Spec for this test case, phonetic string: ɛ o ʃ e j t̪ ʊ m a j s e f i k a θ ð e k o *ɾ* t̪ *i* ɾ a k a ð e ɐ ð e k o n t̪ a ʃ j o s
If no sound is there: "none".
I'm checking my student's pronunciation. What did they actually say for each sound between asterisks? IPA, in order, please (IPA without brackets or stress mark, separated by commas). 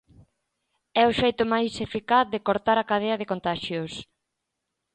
ɾ, a